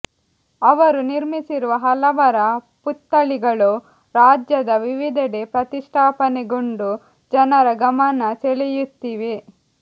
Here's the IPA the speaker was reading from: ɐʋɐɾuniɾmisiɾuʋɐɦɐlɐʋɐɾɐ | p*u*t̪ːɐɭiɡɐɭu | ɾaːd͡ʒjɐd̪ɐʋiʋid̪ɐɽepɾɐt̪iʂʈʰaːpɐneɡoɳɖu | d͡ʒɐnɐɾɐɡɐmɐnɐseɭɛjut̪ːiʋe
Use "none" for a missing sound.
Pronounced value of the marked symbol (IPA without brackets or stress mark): u